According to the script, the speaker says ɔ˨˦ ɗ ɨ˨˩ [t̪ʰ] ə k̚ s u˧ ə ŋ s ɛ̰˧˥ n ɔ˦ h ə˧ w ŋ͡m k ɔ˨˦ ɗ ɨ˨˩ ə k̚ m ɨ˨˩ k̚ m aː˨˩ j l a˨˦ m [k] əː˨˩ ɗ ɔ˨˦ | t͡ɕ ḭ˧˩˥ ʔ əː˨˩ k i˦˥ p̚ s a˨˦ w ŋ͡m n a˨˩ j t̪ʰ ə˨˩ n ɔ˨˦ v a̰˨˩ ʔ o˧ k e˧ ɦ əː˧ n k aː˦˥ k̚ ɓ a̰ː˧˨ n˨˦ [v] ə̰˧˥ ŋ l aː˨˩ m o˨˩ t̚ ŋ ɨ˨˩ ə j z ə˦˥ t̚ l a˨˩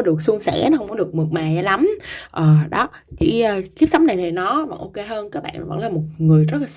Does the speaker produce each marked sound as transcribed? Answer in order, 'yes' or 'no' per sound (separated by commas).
no, no, yes